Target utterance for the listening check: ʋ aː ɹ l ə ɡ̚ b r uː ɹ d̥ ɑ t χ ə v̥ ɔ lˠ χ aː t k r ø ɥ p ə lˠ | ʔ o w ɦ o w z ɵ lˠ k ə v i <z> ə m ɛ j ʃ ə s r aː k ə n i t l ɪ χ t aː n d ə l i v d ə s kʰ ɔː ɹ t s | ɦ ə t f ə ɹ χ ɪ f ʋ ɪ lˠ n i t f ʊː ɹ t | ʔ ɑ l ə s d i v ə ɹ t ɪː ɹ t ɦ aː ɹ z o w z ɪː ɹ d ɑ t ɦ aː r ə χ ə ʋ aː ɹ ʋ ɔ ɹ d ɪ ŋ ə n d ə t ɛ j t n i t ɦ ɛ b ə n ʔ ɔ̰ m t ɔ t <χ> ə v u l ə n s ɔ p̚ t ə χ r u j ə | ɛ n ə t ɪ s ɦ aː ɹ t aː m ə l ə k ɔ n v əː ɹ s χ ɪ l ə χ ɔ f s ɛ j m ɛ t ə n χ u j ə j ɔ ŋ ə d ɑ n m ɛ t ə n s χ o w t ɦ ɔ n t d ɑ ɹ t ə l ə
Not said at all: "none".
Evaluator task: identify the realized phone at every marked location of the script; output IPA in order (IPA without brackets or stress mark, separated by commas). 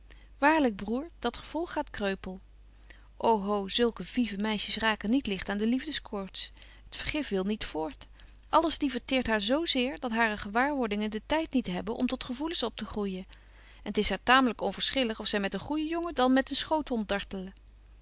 v, χ